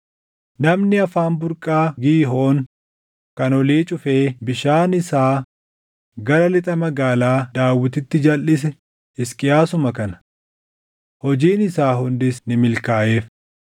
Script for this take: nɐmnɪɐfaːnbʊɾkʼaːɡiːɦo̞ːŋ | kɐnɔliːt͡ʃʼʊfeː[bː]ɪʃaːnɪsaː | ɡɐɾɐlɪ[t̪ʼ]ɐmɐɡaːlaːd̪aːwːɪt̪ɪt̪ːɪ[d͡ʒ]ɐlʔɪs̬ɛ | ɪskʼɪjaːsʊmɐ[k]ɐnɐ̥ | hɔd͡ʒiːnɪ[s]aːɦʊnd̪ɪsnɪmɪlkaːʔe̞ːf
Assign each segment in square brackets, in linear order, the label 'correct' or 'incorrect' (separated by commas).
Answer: incorrect, correct, correct, correct, correct